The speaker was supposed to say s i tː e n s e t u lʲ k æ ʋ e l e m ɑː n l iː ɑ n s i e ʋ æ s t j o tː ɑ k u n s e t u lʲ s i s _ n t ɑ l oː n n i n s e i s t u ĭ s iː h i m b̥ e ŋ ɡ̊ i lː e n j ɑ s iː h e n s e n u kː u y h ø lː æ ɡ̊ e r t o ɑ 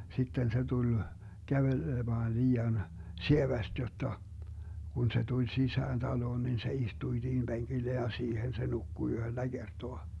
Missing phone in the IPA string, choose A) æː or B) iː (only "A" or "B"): A